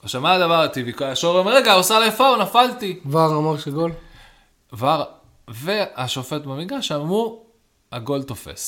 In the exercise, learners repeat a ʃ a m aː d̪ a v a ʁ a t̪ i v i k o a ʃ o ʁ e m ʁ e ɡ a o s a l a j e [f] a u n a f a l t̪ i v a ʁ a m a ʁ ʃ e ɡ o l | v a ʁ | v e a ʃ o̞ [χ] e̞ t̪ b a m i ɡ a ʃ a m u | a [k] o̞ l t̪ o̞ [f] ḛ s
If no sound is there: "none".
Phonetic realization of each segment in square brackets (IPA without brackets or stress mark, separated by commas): f, f, ɡ, f